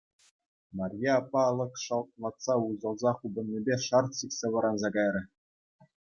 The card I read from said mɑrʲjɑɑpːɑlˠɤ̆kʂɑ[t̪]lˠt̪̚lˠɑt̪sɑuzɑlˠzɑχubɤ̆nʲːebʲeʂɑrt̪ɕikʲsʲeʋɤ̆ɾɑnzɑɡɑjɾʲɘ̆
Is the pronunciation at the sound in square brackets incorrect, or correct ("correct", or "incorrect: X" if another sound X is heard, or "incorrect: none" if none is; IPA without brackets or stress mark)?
incorrect: none